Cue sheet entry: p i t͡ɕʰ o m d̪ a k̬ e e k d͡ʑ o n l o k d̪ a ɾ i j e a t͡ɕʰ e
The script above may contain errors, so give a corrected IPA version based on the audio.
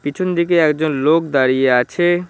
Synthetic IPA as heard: p i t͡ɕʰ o n d̪ i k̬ e ɛ k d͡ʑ o n l o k d̪ a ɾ i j e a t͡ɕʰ e